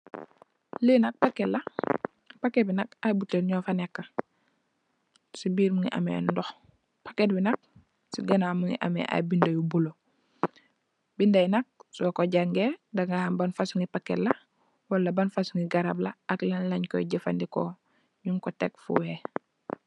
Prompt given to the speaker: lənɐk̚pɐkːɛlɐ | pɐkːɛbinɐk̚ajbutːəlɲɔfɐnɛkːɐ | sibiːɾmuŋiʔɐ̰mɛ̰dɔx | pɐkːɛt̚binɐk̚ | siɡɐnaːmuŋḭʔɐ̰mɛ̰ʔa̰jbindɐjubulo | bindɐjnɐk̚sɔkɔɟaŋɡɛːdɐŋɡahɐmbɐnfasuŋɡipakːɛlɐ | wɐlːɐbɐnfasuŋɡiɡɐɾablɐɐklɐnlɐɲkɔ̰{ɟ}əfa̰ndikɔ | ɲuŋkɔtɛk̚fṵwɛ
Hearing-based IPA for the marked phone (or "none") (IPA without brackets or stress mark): ɟ